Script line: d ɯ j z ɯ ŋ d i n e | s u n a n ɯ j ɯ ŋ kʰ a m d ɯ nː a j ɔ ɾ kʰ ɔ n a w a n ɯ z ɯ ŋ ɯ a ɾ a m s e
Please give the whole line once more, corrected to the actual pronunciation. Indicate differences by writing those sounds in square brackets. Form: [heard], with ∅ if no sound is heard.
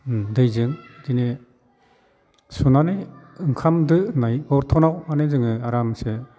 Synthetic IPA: d ɯ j z ɯ ŋ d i n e | s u n a n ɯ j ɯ ŋ kʰ a m d ɯ [n] a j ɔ ɾ [tʰ] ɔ n a w a n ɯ z ɯ ŋ ɯ a ɾ a m s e

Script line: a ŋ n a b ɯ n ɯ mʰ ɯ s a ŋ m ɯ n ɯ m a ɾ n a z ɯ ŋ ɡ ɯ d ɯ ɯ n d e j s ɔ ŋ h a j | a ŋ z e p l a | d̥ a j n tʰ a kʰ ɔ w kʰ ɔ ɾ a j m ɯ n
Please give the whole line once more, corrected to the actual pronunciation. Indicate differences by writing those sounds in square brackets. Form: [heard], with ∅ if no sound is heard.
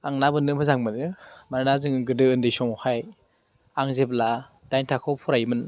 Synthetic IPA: a ŋ n a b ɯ n ɯ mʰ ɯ [z] a ŋ m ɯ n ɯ m a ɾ n a z ɯ ŋ ɡ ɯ d ɯ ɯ n d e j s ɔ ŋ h a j | a ŋ z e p l a | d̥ a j n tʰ a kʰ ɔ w [pʰ] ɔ ɾ a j m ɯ n

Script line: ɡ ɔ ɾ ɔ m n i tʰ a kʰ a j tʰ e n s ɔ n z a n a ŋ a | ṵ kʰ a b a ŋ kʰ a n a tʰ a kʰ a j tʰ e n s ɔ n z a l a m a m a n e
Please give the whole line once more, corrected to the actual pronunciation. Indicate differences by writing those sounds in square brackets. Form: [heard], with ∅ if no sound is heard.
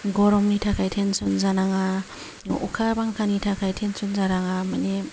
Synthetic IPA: ɡ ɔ ɾ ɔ m n i tʰ a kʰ a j tʰ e n s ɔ n z a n a ŋ a | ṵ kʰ a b a ŋ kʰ a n [i] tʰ a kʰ a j tʰ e n s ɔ n z a [ɾ] a [ŋ] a m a n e

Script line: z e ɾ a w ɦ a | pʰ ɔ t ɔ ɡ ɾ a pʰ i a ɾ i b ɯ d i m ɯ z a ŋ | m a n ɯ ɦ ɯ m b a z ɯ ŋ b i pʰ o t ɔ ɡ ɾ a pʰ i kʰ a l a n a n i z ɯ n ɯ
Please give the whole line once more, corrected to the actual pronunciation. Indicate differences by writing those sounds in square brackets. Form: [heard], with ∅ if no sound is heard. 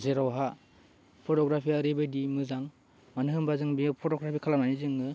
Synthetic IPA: z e ɾ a w ɦ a | pʰ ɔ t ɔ ɡ ɾ a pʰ i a ɾ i b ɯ d i m ɯ z a ŋ | m a n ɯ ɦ ɯ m b a z ɯ ŋ b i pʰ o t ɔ ɡ ɾ a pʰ i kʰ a l a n a n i z ɯ [ŋ] ɯ

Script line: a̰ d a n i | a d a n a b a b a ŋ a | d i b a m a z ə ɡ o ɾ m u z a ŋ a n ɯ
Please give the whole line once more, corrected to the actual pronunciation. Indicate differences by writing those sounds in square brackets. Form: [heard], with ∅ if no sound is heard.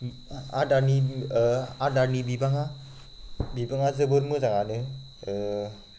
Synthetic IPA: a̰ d a n i | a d a n [i] b [i] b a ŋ a | [b] i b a [ŋ] a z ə [b] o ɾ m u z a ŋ a n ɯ

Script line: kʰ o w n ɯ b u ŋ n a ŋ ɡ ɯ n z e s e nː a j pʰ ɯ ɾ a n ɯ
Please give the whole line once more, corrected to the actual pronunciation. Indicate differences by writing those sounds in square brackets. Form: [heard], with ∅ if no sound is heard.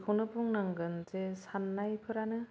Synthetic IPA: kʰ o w n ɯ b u ŋ n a ŋ ɡ ɯ n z e s [a] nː a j pʰ ɯ ɾ a n ɯ

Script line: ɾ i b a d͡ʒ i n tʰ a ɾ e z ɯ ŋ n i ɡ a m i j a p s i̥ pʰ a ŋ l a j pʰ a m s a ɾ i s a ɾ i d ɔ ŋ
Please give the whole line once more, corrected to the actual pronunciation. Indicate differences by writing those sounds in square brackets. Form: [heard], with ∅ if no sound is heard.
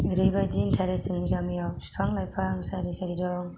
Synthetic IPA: ɾ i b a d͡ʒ i n tʰ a ɾ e [s] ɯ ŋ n i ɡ a m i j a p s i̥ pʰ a ŋ l a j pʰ a [ŋ] s a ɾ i s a ɾ i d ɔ ŋ

